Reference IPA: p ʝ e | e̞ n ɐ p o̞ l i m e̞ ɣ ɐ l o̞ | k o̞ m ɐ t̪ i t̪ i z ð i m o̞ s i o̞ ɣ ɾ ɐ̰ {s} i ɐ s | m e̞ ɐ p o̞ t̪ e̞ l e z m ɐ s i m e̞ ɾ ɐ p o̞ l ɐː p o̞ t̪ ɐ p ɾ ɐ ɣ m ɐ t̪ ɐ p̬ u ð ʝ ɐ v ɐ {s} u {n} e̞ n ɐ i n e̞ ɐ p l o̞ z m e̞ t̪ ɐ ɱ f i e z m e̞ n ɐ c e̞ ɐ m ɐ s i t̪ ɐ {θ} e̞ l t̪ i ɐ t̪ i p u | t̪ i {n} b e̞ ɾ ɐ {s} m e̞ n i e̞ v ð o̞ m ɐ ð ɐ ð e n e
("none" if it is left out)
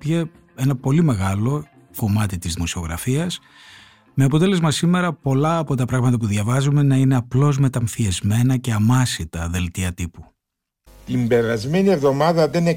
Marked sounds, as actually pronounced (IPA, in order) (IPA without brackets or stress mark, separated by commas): f, z, m, ð, m, z